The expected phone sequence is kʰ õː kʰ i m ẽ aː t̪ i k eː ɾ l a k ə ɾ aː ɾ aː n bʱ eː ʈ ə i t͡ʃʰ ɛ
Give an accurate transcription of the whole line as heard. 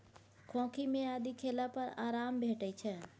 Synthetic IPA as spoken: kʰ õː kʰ i m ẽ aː d̪ i kʰ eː l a p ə ɾ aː ɾ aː m bʱ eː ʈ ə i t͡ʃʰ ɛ